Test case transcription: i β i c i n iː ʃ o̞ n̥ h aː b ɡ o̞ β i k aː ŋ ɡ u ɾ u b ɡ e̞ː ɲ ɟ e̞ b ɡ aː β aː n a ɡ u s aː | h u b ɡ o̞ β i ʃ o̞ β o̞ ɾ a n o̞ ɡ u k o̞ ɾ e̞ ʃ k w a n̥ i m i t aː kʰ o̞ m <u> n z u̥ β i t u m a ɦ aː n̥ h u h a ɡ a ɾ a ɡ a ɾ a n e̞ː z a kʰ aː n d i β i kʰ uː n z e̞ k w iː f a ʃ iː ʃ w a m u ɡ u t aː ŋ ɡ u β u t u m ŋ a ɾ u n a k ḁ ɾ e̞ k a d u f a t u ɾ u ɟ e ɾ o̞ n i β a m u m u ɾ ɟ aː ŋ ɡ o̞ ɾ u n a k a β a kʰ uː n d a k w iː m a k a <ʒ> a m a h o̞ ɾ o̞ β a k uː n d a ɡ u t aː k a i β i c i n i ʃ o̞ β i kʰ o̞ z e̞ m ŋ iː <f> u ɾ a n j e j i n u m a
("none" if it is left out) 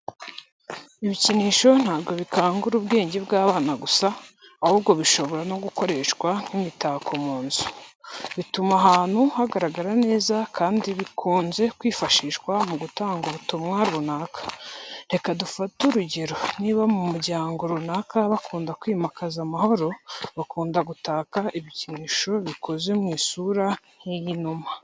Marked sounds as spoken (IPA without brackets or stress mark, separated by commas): uː, z, s